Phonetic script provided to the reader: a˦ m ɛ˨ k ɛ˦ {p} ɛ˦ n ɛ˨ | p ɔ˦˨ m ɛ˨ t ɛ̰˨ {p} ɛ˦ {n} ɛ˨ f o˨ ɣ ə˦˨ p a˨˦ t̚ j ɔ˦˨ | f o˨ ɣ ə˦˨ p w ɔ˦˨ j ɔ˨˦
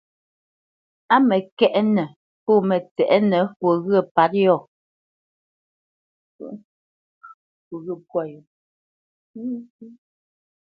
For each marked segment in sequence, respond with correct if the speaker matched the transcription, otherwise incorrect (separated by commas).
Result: incorrect, incorrect, correct